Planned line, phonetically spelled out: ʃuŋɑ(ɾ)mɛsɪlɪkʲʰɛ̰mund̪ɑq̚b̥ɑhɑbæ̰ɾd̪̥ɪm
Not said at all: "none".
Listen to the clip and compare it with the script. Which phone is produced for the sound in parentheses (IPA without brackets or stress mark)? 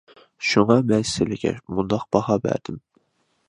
none